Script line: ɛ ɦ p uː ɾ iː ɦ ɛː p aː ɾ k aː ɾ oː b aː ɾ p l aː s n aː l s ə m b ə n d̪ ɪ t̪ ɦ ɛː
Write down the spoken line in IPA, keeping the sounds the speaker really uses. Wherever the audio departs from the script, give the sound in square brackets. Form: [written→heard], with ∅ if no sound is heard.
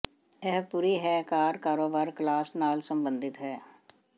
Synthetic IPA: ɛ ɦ p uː ɾ iː ɦ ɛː [p→k] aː ɾ k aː ɾ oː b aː ɾ [p→k] l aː s n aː l s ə m b ə n d̪ ɪ t̪ ɦ ɛː